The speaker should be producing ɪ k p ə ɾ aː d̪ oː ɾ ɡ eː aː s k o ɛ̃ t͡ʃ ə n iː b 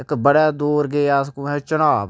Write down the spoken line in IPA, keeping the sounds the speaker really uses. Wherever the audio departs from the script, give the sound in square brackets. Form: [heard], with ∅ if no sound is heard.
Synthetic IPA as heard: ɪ k [b] ə [ɽ] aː d̪ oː ɾ ɡ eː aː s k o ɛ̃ t͡ʃ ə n [aː] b